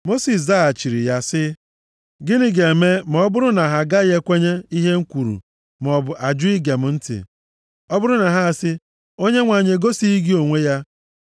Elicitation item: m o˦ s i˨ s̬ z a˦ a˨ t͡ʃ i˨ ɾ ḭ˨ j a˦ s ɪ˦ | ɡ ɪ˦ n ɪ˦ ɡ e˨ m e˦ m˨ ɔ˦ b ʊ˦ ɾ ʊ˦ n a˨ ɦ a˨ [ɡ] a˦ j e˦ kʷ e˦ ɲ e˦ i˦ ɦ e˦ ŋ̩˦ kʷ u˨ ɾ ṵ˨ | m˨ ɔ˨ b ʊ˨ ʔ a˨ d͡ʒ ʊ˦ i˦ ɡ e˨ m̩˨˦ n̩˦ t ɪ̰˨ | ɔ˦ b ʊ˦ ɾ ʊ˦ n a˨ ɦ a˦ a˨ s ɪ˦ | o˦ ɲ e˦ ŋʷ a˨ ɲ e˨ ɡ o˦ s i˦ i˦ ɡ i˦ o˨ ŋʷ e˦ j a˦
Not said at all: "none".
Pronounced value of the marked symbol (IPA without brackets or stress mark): ɡ